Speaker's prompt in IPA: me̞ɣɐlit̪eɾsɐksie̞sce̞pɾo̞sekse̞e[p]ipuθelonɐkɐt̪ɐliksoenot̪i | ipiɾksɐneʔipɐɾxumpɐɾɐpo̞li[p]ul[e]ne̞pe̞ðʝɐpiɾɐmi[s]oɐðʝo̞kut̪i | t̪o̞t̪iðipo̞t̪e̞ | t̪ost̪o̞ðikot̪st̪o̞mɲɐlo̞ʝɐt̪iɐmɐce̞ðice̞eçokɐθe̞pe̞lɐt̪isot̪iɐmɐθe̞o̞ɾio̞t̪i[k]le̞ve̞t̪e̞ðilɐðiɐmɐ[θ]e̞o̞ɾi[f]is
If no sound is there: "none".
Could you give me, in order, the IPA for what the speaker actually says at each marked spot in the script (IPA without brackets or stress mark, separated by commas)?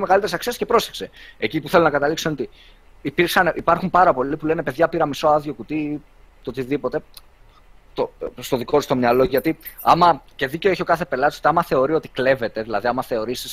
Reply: c, p, e, s, k, θ, s